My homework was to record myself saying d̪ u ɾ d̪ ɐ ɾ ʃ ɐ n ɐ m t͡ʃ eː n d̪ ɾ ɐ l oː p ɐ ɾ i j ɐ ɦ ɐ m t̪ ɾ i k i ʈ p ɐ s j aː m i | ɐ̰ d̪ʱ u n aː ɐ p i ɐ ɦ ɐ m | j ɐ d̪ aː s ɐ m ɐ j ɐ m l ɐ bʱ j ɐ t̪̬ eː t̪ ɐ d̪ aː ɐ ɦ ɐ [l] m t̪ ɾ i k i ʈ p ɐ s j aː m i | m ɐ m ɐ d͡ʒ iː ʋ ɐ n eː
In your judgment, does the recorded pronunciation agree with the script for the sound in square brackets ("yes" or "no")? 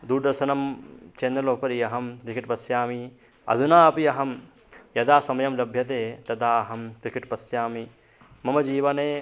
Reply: no